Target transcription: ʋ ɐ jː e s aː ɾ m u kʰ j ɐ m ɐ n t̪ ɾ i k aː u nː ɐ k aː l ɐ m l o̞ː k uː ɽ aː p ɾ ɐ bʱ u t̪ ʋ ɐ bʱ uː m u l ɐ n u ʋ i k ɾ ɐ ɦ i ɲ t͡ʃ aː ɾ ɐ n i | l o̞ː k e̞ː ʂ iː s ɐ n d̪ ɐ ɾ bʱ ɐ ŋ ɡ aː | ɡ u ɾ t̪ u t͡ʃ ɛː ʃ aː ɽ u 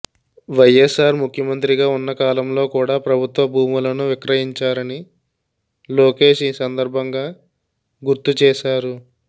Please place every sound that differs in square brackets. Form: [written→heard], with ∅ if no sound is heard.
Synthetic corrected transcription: ʋ ɐ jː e s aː ɾ m u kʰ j ɐ m ɐ n t̪ ɾ i [k→ɡ] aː u nː ɐ k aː l ɐ m l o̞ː k uː ɽ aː p ɾ ɐ bʱ u t̪ ʋ ɐ bʱ uː m u l ɐ n u ʋ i k ɾ ɐ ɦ i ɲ t͡ʃ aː ɾ ɐ n i | l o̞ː k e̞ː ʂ iː s ɐ n d̪ ɐ ɾ bʱ ɐ ŋ ɡ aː | ɡ u ɾ t̪ u t͡ʃ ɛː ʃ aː [ɽ→ɾ] u